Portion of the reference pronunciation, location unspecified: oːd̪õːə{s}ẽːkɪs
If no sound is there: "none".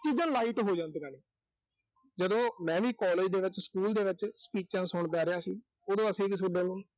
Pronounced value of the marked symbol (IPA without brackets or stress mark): s